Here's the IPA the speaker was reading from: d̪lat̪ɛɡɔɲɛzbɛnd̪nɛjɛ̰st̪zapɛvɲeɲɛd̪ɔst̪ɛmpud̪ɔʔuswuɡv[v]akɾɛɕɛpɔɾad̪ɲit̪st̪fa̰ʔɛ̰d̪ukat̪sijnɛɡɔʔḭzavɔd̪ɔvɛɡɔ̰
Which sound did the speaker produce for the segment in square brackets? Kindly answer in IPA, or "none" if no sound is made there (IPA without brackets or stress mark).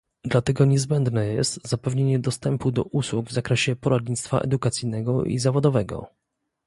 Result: z